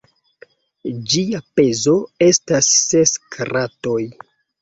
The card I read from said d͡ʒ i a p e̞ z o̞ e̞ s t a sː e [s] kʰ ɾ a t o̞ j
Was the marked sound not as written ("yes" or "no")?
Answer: no